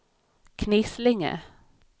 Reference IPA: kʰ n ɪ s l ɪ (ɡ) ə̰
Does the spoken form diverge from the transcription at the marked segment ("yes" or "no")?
yes